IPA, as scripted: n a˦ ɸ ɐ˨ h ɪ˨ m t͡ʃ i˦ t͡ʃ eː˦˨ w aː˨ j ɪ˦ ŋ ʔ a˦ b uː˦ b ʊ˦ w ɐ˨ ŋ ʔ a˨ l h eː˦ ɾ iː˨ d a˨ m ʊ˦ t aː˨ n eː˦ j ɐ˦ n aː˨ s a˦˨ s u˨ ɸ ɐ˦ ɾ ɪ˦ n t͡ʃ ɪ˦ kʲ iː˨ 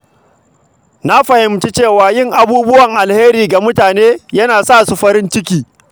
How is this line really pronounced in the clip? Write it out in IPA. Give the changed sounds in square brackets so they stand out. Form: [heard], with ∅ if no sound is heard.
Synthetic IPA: n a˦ ɸ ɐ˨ h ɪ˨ m t͡ʃ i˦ t͡ʃ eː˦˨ w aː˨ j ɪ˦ ŋ ʔ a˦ b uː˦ b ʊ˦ w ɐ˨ ŋ ʔ a˨ l h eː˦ ɾ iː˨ [ɡ] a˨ m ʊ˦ t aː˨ n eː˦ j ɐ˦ n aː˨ s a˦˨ s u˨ ɸ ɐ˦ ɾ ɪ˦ n t͡ʃ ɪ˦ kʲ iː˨